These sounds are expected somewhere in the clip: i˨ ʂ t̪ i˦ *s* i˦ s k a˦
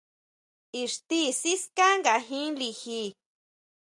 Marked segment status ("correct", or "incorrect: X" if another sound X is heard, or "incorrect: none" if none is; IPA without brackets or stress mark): correct